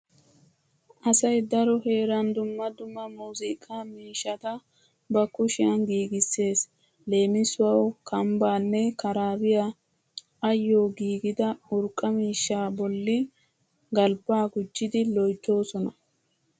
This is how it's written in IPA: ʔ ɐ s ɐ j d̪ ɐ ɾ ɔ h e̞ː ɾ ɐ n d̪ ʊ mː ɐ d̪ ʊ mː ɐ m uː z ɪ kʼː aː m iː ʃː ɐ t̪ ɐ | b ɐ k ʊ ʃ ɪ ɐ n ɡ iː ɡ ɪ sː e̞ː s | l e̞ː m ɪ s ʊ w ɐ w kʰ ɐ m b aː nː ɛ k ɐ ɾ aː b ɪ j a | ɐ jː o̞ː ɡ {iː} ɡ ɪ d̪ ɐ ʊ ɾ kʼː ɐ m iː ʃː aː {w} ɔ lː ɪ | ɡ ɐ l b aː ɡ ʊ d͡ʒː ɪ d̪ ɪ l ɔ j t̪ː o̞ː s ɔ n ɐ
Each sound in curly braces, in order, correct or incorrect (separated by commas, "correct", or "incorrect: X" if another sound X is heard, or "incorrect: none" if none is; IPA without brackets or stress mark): correct, incorrect: b